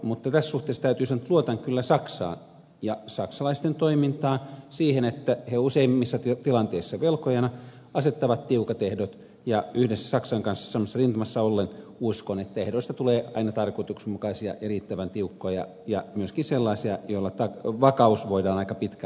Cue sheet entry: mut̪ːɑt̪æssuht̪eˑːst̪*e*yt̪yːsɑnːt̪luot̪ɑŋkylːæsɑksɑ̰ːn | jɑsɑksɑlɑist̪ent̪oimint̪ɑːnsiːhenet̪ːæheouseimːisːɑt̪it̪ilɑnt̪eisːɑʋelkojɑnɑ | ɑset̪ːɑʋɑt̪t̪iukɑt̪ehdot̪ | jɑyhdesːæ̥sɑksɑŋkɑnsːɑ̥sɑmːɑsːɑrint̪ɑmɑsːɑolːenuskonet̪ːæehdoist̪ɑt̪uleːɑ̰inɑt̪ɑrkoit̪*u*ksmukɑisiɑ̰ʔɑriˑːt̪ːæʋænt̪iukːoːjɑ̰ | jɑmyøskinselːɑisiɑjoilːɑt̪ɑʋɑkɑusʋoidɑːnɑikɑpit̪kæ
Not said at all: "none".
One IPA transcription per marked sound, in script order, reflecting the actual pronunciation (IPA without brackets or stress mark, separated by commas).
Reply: æ, u